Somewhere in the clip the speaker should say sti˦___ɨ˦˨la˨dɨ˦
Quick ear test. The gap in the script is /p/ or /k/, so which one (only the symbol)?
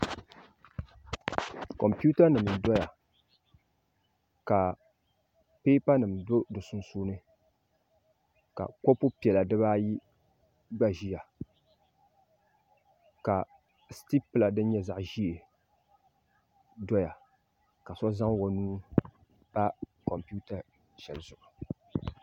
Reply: p